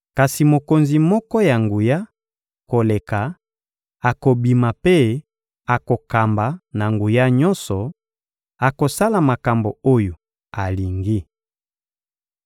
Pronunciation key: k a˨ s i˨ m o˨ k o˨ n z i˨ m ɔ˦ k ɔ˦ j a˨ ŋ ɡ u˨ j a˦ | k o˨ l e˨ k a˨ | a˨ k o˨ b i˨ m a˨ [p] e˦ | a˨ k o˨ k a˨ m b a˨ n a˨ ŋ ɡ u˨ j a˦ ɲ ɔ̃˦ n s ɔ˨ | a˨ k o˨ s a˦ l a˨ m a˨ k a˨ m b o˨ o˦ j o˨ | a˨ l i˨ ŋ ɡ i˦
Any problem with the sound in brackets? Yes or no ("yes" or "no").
no